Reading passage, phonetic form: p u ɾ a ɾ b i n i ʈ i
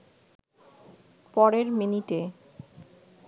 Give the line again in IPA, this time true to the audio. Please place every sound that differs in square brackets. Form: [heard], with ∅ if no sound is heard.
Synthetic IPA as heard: p [ɔ] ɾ [e] ɾ [m] i n i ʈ [e]